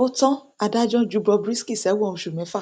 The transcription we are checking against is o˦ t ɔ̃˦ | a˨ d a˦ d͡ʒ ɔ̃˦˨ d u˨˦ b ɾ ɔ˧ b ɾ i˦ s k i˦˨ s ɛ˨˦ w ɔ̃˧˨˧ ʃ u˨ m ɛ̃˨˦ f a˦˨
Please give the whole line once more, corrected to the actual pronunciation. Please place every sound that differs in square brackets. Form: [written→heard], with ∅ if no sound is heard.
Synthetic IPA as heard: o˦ t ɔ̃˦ | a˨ d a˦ d͡ʒ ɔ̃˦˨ [d→d͡ʒ] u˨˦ b ɾ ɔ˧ b ɾ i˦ s k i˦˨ s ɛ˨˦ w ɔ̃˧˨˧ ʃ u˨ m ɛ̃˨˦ f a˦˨